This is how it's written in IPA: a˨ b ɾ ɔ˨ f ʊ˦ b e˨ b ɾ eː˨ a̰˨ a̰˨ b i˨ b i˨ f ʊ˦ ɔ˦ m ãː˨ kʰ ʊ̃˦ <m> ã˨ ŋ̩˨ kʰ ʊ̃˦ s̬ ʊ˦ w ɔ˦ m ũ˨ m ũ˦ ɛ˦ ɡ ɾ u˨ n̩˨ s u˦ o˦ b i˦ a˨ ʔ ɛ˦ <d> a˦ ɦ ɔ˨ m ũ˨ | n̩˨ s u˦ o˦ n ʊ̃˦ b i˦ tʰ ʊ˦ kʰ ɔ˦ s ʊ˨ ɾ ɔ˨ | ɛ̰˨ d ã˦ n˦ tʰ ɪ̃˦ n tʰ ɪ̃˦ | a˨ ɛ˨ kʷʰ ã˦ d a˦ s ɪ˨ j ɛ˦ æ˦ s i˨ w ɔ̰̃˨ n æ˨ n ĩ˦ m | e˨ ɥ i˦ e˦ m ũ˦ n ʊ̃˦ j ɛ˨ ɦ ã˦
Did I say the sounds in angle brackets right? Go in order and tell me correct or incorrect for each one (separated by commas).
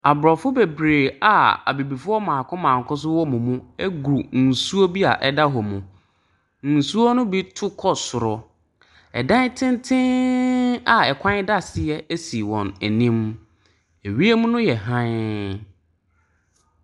correct, correct